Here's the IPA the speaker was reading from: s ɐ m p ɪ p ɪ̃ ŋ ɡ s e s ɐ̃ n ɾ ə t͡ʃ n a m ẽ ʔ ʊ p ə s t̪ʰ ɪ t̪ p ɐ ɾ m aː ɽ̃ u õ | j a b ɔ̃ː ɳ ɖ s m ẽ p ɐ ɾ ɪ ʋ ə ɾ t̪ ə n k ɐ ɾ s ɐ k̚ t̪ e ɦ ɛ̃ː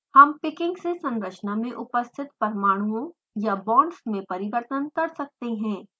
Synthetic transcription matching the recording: h ɐ m p ɪ k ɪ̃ ŋ ɡ s e s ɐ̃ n ɾ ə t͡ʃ n a m ẽ ʔ ʊ p ə s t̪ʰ ɪ t̪ p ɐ ɾ m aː ɽ̃ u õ | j a b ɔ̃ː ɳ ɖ s m ẽ p ɐ ɾ ɪ ʋ ə ɾ t̪ ə n k ɐ ɾ s ɐ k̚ t̪ e ɦ ɛ̃ː